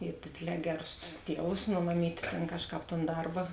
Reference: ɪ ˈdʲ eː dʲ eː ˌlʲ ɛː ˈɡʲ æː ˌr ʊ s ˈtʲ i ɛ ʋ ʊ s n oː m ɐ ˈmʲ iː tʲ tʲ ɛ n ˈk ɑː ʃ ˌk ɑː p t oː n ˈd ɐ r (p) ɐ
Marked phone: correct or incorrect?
incorrect